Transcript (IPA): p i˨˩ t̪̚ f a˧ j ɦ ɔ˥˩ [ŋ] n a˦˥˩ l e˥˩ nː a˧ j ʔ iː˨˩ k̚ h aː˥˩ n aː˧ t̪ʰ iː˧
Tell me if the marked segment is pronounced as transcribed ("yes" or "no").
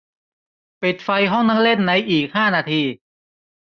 yes